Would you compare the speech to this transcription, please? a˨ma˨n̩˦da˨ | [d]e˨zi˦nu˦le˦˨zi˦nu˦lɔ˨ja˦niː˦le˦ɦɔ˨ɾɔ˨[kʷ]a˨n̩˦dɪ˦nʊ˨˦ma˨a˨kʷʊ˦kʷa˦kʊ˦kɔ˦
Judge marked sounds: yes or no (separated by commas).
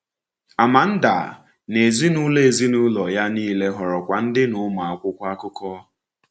no, yes